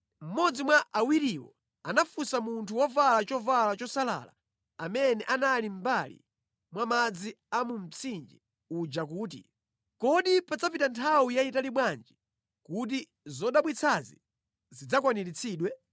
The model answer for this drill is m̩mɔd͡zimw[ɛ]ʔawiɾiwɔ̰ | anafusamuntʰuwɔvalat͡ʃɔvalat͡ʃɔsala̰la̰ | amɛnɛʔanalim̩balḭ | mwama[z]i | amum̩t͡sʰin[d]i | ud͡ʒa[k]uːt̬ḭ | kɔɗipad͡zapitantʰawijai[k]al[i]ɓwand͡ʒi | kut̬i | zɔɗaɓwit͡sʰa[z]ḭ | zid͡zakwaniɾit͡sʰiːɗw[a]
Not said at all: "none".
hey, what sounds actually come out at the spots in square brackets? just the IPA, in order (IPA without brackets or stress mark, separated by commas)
a, d͡z, d͡ʒ, k, t, i, z, ɛ